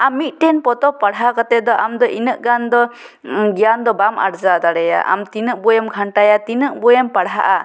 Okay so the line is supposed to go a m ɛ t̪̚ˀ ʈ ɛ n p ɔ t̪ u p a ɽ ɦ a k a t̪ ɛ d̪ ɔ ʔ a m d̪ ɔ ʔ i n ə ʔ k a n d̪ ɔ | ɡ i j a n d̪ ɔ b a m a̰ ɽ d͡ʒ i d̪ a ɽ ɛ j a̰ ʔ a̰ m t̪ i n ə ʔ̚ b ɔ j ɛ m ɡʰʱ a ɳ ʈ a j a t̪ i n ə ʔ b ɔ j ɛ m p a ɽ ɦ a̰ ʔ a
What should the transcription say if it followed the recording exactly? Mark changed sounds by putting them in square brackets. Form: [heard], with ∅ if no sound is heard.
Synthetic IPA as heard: a m [i] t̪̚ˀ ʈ ɛ n p ɔ t̪ [ɔ] p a ɽ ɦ a k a t̪ ɛ d̪ ɔ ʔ a m d̪ ɔ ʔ i n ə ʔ [ɡ] a n d̪ ɔ | ɡ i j a n d̪ ɔ b a m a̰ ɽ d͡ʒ [a] d̪ a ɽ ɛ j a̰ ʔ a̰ m t̪ i n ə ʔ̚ b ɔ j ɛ m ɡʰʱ a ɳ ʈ a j a t̪ i n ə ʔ b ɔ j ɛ m p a ɽ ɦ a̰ ʔ a